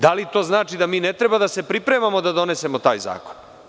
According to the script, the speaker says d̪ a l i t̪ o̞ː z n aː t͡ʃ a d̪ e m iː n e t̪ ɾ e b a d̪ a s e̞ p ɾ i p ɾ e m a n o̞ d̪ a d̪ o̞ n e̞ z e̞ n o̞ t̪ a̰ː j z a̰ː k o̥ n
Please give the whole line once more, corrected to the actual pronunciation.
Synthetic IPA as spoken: d̪ a l i t̪ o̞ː z n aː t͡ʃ i d̪ a m iː n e t̪ ɾ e b a d̪ a s e̞ p ɾ i p ɾ e m a m o̞ d̪ a d̪ o̞ n e̞ s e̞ m o̞ t̪ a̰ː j z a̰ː k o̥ n